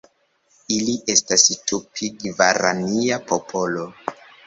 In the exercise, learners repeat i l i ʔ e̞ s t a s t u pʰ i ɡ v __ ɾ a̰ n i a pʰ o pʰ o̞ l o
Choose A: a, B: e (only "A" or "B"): A